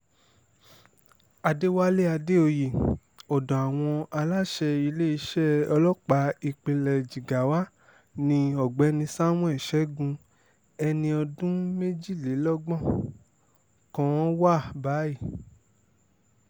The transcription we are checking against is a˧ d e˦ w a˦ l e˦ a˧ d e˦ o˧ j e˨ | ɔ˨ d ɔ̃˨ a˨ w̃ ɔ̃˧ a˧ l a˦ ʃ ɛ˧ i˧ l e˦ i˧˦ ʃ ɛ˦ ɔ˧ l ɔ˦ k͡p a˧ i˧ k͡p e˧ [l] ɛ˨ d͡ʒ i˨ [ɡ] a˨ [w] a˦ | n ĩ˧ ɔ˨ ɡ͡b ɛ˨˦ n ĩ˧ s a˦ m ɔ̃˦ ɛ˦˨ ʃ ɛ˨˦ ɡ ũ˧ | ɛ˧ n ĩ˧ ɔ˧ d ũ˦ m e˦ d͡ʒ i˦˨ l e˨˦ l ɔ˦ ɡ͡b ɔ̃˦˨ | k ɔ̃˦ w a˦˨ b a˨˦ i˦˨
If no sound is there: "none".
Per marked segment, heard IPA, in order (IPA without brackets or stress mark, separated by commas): l, ɡ, w